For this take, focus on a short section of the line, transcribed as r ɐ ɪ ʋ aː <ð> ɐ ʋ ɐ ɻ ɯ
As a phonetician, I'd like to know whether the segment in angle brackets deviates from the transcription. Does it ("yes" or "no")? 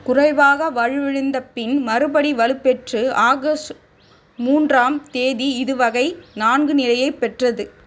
yes